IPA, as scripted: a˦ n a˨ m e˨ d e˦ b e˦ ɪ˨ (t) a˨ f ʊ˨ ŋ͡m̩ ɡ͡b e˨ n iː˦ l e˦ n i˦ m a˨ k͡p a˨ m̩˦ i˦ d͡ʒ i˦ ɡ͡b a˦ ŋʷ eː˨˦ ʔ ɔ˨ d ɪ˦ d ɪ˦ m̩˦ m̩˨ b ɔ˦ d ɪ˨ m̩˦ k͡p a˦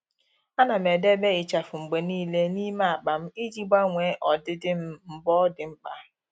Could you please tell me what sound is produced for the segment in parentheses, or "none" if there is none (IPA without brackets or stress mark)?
t͡ʃ